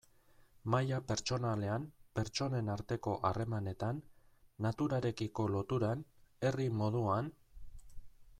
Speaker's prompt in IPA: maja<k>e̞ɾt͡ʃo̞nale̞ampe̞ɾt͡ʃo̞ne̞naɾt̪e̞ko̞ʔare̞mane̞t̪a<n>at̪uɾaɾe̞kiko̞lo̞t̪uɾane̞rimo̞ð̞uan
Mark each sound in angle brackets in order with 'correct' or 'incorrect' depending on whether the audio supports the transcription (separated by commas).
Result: incorrect, incorrect